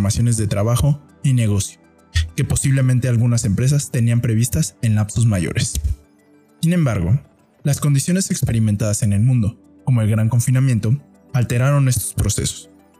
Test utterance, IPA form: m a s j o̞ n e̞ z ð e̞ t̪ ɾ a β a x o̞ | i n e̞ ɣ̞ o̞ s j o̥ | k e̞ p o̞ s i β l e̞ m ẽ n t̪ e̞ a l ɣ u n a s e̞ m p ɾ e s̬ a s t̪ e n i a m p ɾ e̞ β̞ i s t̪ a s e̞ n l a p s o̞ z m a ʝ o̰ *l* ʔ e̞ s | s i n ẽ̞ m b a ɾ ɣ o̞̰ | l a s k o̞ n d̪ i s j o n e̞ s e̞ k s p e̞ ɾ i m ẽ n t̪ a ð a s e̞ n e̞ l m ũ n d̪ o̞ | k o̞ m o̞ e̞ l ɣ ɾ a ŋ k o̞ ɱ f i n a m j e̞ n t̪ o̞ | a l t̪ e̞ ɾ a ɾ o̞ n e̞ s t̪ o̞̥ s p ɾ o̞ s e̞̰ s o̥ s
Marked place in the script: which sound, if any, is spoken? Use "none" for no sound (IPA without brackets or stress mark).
ɾ